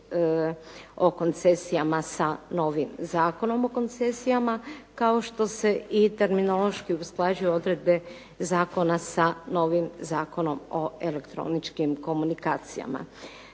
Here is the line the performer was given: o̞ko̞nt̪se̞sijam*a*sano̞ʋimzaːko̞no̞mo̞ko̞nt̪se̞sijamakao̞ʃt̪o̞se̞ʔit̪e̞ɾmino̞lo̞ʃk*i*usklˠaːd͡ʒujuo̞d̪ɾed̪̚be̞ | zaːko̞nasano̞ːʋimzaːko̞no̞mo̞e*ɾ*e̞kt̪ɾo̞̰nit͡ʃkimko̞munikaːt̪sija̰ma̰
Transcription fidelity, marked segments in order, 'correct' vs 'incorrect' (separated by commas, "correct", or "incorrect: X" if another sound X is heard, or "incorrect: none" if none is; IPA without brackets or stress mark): correct, correct, incorrect: l